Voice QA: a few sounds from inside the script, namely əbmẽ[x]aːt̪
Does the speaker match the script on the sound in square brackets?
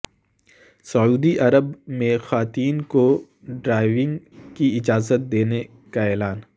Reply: yes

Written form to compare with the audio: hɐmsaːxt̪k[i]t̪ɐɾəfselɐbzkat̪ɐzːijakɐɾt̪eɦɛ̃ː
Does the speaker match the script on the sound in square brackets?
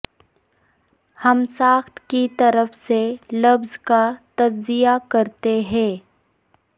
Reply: yes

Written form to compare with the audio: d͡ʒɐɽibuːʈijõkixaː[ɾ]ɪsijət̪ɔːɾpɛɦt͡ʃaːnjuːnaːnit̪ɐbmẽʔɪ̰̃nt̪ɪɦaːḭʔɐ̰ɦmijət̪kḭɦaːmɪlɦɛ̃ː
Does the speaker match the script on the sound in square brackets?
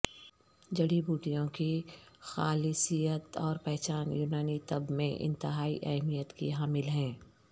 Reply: no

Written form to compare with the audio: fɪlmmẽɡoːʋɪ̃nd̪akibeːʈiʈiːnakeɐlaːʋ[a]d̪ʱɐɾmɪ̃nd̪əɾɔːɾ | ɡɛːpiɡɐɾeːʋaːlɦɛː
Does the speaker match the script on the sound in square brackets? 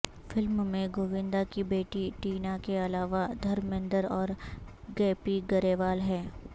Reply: yes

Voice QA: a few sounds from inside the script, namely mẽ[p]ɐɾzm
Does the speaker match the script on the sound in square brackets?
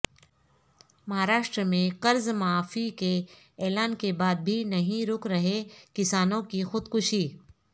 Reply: no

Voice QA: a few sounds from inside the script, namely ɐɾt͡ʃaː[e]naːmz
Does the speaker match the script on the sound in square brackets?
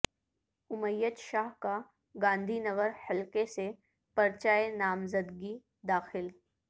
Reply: yes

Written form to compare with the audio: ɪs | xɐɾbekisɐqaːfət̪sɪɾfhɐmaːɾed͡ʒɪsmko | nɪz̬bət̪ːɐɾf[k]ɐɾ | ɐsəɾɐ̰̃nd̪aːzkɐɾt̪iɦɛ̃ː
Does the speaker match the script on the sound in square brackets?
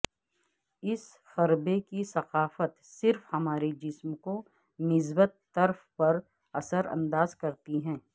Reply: no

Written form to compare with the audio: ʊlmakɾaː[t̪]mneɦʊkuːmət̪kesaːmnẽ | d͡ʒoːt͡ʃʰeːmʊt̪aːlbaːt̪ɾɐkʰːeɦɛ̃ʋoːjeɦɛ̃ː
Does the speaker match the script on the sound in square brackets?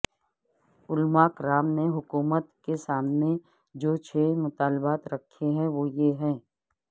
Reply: no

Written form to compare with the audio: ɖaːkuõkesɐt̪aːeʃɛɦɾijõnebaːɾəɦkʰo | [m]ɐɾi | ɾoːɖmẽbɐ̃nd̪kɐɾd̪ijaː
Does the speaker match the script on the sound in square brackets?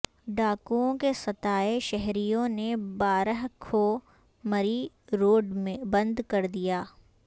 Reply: yes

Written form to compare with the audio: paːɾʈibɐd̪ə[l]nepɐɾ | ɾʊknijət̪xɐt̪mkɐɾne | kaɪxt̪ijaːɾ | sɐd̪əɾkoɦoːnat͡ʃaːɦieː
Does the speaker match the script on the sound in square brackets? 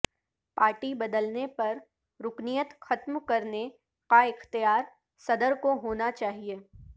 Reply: yes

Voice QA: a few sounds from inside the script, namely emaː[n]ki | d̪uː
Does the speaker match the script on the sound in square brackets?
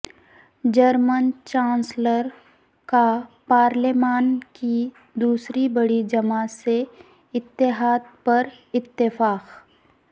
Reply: yes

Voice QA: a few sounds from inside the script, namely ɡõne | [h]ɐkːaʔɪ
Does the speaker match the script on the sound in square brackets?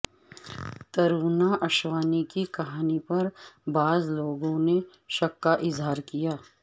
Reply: no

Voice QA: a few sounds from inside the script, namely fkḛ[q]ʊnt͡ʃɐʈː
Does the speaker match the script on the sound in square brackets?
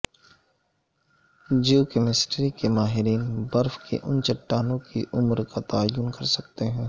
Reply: no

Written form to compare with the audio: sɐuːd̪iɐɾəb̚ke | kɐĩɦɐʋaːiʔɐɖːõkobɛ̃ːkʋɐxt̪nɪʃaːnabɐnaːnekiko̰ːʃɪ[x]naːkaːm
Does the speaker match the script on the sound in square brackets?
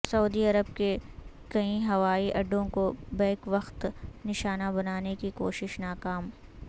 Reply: no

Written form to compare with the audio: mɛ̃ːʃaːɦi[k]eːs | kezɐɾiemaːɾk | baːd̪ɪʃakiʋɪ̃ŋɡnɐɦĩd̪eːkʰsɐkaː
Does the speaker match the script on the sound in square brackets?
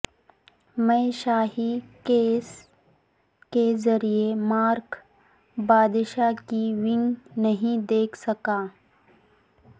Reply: yes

